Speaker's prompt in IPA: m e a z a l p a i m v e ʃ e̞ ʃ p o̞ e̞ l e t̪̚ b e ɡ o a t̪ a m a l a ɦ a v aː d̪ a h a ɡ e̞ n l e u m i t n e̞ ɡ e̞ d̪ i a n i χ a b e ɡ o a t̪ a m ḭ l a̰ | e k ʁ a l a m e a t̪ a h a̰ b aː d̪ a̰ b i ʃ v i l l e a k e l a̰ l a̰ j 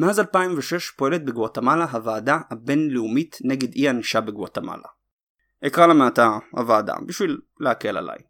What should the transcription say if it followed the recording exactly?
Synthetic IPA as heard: m e a z a l p a i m v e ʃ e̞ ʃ p o̞ e̞ l e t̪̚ b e ɡ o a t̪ a m a l a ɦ a v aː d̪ a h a b e̞ n l e u m i t n e̞ ɡ e̞ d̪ i a n i ʃ a b e ɡ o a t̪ a m a̰ l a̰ | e k ʁ a l a m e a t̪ a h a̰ v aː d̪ a̰ b i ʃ v i l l e a k e l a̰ l a̰ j